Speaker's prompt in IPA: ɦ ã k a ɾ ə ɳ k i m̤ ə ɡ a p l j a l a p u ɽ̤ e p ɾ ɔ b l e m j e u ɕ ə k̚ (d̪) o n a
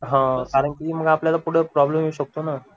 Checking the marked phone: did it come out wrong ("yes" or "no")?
yes